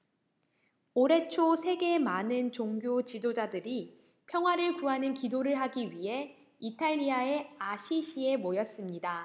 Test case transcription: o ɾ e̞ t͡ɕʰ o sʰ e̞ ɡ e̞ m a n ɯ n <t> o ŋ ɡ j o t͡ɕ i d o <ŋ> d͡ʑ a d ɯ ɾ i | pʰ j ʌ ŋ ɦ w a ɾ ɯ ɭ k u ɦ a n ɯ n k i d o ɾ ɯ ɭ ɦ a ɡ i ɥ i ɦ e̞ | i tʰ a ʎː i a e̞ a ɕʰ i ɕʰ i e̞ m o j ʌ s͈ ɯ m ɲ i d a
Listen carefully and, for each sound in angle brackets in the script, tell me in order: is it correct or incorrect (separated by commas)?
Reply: incorrect, incorrect